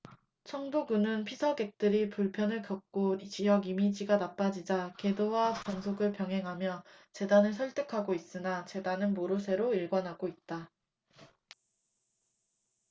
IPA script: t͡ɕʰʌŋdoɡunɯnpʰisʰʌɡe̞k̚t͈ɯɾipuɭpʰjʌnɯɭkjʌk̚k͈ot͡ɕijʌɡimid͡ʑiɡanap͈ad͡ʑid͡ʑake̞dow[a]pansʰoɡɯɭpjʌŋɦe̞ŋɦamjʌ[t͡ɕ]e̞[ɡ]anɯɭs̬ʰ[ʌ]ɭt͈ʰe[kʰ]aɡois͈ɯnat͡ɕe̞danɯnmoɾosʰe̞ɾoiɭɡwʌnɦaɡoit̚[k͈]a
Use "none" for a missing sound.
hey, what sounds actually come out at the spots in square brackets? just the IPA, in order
a, t͡ɕ, d, ʌ, kʰ, t͈

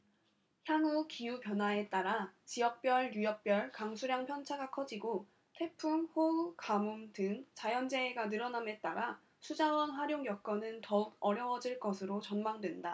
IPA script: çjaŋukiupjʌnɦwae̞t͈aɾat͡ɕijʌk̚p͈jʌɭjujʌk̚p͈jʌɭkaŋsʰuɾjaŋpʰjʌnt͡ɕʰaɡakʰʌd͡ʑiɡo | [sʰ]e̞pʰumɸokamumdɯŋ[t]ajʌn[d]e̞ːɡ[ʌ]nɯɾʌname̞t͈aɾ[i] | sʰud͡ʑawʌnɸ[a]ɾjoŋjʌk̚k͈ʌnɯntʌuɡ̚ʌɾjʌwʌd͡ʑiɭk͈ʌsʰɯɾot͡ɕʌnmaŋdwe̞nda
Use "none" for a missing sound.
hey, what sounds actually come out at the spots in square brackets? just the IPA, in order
tʰ, t͡ɕ, d͡ʑ, a, a, a

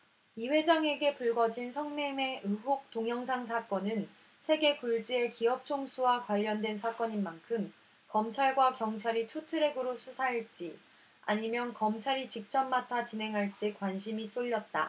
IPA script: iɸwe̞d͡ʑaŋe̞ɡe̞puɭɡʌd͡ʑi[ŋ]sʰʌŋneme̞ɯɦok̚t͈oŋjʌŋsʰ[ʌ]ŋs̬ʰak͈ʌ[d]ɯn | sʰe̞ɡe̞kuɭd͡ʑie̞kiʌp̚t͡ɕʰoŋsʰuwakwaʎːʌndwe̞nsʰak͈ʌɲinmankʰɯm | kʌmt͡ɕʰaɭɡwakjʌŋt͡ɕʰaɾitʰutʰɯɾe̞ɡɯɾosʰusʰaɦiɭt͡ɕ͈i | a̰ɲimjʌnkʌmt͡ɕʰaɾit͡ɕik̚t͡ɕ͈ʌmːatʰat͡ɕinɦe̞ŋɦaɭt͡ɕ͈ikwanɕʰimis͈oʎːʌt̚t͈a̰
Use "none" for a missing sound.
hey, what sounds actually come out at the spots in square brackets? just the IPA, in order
n, a, n

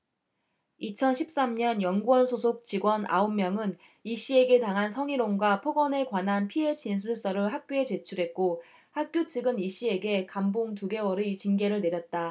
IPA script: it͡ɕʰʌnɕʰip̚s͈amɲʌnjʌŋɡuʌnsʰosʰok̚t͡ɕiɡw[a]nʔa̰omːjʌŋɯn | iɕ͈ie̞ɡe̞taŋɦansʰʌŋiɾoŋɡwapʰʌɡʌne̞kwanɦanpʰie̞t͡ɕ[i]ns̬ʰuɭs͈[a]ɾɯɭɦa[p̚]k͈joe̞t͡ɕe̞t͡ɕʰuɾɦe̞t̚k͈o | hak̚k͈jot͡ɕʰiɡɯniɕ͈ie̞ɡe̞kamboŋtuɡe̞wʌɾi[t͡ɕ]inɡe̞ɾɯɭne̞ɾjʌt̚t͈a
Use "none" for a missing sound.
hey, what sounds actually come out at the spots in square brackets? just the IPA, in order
ʌ, i, ʌ, k̚, t͡ɕ

